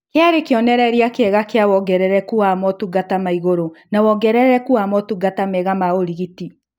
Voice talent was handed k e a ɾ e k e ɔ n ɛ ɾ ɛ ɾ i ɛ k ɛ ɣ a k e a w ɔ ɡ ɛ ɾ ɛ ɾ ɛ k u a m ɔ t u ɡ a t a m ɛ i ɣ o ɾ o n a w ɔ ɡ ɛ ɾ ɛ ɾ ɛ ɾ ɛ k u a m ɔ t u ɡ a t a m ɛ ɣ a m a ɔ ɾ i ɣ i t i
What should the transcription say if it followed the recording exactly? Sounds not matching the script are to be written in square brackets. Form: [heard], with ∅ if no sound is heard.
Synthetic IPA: k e a ɾ e k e ɔ n ɛ ɾ ɛ ɾ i [a] k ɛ ɣ a k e a w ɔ ɡ ɛ ɾ ɛ ɾ ɛ k u a m ɔ t u ɡ a t a m [a] i ɣ o ɾ o n a w ɔ ɡ ɛ ɾ ɛ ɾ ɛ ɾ ɛ k u a m ɔ t u ɡ a t a m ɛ ɣ a m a [o] ɾ i ɣ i t i